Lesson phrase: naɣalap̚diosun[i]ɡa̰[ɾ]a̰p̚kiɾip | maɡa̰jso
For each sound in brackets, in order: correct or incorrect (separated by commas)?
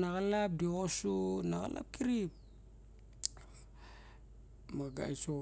incorrect, incorrect